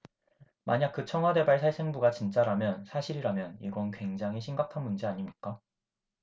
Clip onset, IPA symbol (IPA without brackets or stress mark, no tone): m